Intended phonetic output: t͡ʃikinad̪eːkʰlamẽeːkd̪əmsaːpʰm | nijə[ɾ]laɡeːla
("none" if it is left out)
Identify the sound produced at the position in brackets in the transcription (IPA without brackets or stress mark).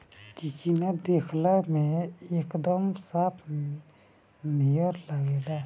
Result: ɾ